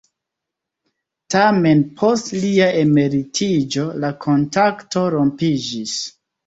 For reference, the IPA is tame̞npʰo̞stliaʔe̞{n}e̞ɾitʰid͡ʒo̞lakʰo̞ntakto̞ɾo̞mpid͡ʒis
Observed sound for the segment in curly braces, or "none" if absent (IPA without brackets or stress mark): m